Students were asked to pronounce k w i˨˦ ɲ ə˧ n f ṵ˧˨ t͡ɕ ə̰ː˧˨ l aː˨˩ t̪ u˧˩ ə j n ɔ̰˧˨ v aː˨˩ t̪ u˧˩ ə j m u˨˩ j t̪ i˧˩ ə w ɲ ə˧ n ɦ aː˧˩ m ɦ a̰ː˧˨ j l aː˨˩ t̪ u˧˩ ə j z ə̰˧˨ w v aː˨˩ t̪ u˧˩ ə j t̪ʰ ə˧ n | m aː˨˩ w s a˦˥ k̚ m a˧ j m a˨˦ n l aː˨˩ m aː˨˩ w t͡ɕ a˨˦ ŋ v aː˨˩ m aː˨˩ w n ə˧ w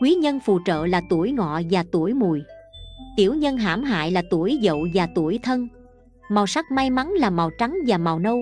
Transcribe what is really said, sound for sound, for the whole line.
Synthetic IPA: k w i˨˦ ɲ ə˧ n f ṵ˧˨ t͡ɕ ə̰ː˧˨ l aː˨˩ t̪ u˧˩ ə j ŋ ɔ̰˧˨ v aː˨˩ t̪ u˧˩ ə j m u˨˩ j t̪ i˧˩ ə w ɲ ə˧ n ɦ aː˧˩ m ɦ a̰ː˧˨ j l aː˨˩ t̪ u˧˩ ə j z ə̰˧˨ w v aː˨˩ t̪ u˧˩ ə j t̪ʰ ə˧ n | m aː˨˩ w s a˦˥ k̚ m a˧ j m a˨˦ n l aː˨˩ m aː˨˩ w t͡ɕ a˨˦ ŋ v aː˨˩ m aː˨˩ w n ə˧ w